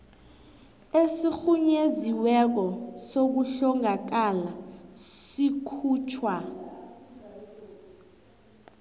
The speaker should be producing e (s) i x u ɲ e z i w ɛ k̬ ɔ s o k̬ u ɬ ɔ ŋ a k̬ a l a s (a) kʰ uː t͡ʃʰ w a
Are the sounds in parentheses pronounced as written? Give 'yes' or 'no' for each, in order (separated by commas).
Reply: yes, no